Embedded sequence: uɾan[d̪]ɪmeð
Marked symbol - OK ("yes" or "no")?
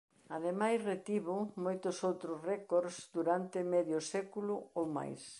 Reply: no